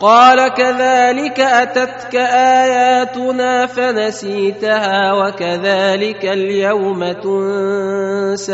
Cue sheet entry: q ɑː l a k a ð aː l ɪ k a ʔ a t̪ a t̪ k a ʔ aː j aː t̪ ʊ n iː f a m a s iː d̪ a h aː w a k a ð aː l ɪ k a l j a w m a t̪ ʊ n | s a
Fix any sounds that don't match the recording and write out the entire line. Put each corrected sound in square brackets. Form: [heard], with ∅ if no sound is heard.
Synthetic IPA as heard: q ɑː l a k a ð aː l ɪ k a ʔ a t̪ a t̪ k a ʔ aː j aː t̪ ʊ n [aː] f a [n] a s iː [t̪] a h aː w a k a ð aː l ɪ k a l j a w m a t̪ ʊ n | s a